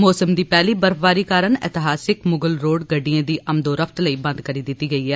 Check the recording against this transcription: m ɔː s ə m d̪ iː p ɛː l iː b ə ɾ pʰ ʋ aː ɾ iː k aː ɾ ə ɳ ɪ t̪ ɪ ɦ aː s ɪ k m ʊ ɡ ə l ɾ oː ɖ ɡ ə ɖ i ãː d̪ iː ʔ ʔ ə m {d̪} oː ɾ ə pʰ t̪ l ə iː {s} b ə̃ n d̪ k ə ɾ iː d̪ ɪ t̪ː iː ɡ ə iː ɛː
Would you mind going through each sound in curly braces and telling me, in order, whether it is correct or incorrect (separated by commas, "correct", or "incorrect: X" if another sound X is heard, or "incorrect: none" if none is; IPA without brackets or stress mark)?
correct, incorrect: none